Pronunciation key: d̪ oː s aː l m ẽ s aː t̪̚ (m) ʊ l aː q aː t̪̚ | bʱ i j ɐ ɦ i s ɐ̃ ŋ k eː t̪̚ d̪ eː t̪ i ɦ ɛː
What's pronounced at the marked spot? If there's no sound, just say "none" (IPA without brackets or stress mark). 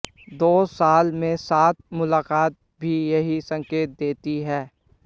m